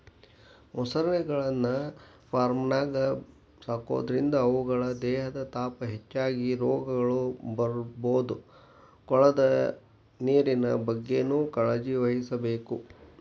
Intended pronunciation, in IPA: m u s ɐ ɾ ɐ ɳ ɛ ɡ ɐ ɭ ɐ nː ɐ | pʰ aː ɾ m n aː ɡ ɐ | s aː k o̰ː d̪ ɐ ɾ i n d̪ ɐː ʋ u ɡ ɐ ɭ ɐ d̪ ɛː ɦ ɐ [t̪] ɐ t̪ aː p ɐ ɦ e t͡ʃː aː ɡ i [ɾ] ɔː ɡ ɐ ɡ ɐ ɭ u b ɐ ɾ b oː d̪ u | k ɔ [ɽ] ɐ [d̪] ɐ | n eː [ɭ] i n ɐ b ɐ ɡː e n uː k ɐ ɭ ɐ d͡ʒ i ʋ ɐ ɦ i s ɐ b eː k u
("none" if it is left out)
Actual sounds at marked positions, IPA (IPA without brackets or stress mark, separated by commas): d̪, ɾ, ɭ, d̪, ɾ